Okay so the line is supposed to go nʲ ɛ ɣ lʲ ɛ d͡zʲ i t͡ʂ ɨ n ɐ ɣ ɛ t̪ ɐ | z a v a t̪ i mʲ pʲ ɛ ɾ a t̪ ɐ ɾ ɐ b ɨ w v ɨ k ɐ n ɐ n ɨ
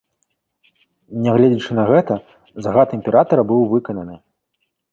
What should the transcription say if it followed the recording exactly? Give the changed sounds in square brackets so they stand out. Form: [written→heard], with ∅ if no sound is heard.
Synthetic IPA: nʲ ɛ ɣ lʲ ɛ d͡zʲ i t͡ʂ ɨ n ɐ ɣ ɛ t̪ ɐ | z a [v→ɣ] a t̪ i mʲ pʲ ɛ ɾ a t̪ ɐ ɾ ɐ b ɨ w v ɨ k ɐ n ɐ n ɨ